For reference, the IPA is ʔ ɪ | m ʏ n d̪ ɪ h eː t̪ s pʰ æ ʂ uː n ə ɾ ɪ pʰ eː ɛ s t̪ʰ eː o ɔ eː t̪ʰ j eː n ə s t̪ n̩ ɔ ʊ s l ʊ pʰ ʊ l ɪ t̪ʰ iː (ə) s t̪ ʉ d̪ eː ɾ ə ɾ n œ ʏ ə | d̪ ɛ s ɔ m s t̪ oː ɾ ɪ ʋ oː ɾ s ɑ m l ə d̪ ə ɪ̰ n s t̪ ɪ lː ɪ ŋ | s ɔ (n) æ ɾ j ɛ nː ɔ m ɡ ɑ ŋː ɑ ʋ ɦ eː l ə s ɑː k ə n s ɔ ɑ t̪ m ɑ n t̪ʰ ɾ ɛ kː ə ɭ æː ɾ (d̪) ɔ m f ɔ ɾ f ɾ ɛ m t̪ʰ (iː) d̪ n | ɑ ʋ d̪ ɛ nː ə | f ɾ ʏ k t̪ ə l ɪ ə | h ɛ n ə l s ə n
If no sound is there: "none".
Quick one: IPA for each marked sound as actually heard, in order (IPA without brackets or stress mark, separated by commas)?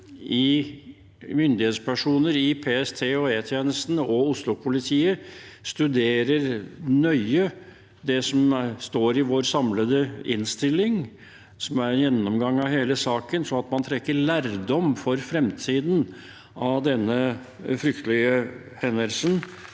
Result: ə, m, d̪, iː